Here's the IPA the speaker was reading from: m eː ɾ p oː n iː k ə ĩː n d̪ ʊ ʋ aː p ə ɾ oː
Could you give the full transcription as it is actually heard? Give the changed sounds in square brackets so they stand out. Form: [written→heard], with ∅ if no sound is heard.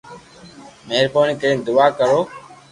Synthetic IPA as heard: m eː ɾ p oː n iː k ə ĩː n d̪ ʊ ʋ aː [p→k] ə ɾ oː

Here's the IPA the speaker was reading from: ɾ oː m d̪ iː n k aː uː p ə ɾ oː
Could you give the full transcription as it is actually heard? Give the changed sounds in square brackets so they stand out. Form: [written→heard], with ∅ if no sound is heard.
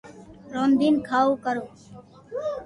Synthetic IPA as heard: ɾ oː [m→n] d̪ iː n [k→kʰ] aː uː [p→k] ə ɾ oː

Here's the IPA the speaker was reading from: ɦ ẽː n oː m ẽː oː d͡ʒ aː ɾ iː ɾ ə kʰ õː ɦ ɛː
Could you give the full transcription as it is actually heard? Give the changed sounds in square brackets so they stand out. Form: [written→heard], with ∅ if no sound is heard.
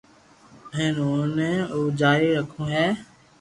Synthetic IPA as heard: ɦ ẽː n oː [m→n] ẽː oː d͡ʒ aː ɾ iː ɾ ə kʰ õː ɦ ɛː

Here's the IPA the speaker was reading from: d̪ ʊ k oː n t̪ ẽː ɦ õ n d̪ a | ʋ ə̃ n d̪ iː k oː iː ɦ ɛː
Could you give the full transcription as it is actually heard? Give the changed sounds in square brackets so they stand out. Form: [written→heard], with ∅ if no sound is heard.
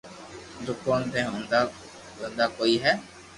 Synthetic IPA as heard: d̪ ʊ k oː n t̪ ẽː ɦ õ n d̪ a | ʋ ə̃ n d̪ [iː→aː] k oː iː ɦ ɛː

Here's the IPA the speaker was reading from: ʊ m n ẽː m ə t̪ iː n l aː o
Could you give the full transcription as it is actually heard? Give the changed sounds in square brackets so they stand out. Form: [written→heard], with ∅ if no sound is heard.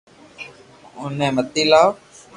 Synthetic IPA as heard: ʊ [m→∅] n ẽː m ə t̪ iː [n→∅] l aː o

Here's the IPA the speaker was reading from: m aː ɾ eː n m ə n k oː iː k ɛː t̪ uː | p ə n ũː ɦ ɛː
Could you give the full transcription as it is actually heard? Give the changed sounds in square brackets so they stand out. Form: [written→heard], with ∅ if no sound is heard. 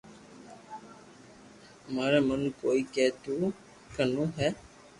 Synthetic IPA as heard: m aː ɾ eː [n→∅] m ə n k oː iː k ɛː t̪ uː | [p→k] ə n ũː ɦ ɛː

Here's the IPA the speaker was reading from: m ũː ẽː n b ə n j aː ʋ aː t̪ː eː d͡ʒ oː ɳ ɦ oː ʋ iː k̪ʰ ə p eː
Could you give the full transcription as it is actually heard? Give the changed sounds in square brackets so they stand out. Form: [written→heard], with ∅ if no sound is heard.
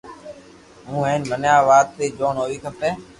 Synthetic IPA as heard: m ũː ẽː n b ə n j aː ʋ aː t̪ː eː d͡ʒ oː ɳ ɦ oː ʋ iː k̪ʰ ə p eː

